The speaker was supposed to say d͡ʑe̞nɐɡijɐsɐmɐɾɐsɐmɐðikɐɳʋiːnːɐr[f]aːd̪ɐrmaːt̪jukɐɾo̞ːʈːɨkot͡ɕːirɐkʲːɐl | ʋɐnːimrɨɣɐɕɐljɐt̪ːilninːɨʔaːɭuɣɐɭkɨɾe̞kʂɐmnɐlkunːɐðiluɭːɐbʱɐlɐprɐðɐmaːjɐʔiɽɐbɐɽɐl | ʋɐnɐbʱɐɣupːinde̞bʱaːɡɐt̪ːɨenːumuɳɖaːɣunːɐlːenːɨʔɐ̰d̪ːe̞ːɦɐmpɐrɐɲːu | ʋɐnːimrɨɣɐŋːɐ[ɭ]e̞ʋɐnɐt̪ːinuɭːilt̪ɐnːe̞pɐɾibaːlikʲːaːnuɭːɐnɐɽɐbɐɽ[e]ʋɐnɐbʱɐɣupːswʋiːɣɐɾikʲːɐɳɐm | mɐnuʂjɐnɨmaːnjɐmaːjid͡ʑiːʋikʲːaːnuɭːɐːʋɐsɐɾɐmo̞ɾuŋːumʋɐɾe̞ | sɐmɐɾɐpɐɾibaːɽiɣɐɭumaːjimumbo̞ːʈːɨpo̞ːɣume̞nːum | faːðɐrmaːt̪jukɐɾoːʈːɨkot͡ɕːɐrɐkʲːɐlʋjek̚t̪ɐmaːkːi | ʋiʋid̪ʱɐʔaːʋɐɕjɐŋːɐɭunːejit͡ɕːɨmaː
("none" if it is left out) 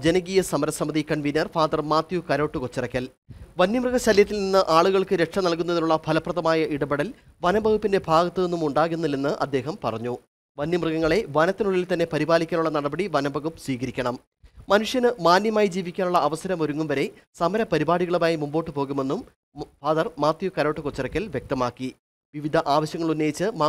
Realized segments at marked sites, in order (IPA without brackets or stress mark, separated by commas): f, ɭ, i